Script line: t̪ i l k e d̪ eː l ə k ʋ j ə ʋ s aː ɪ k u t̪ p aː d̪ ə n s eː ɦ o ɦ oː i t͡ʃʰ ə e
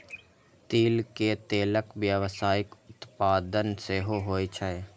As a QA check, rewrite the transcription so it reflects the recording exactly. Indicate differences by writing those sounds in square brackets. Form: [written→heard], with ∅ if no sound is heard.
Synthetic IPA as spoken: t̪ [i→iː] l k e [d̪→t̪] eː l ə k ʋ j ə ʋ s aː ɪ k [u→ʊ] t̪ p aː d̪ ə n s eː ɦ o ɦ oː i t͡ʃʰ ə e